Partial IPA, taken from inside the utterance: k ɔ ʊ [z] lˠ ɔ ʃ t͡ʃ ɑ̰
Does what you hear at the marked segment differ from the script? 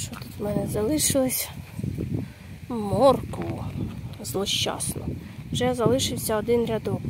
no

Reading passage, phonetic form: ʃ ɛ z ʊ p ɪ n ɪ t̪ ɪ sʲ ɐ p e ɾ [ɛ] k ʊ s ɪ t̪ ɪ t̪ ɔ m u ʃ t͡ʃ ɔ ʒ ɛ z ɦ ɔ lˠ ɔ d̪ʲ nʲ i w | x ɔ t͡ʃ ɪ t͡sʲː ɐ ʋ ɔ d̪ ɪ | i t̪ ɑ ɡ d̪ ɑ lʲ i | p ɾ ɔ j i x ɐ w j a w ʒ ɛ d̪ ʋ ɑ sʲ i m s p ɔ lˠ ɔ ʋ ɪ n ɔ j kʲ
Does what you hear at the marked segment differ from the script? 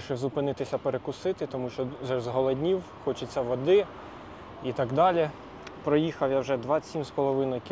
yes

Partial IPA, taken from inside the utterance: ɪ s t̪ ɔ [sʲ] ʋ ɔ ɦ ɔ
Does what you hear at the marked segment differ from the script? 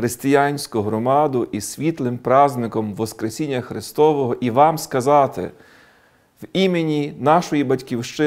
yes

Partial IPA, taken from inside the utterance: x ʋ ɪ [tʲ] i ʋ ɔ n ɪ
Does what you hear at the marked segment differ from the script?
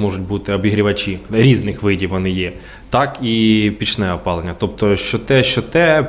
yes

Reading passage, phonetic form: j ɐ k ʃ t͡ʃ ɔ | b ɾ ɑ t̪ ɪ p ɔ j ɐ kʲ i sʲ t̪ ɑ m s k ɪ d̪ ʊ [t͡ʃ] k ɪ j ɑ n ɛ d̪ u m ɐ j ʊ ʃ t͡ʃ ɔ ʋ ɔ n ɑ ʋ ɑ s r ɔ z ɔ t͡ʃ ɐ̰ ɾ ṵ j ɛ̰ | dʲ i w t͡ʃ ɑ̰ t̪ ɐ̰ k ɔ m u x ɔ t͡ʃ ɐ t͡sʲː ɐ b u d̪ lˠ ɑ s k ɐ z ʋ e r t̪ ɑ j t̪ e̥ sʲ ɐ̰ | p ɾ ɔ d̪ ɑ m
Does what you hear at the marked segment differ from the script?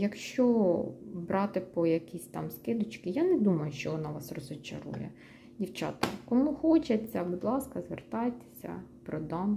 no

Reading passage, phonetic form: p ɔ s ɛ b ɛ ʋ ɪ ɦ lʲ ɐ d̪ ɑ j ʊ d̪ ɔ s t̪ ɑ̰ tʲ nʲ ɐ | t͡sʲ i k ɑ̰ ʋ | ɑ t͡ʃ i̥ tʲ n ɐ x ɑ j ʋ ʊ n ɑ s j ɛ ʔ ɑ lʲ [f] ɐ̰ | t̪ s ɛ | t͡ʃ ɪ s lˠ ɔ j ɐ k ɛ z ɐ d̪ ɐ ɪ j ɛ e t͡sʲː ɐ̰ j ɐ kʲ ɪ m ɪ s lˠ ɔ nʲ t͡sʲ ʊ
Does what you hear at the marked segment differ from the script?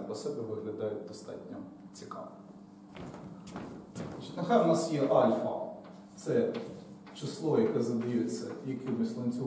no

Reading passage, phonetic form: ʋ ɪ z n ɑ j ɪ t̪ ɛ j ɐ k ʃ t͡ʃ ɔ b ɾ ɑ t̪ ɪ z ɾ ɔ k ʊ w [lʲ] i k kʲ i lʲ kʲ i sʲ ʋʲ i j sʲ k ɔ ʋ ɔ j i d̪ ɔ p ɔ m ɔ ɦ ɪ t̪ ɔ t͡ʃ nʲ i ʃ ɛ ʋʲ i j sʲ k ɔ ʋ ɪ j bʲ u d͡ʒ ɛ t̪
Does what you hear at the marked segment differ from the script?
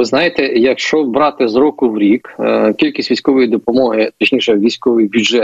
yes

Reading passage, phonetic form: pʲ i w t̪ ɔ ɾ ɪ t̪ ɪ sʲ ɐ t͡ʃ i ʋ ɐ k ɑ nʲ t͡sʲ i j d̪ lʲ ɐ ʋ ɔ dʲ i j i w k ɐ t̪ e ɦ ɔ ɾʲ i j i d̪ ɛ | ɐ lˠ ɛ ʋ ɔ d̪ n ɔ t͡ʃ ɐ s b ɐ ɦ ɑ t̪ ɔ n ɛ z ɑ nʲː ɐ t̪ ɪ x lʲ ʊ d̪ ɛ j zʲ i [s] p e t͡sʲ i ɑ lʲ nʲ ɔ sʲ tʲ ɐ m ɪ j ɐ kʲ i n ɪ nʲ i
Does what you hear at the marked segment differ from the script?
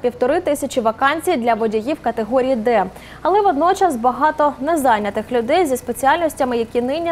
no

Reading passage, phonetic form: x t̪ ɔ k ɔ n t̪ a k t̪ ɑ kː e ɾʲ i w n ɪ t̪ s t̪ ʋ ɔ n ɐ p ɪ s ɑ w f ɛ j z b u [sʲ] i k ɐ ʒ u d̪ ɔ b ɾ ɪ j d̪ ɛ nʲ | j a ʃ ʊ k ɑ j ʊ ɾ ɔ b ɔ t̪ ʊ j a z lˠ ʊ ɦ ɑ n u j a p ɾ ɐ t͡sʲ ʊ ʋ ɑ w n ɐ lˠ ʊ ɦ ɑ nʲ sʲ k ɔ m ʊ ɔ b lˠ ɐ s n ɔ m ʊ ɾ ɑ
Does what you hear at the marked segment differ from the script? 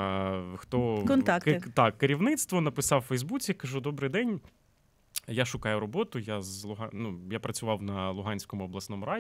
yes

